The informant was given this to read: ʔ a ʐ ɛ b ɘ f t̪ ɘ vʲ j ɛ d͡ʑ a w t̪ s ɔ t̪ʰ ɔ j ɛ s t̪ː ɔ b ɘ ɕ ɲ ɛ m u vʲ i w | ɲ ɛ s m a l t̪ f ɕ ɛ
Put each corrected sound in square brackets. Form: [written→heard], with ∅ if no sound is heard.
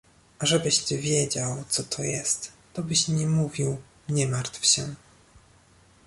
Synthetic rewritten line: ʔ a ʐ ɛ b ɘ [f→ɕ] t̪ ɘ vʲ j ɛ d͡ʑ a w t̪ s ɔ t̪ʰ ɔ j ɛ s t̪ː ɔ b ɘ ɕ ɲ ɛ m u vʲ i w | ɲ ɛ [s→∅] m a [l→ɾ] t̪ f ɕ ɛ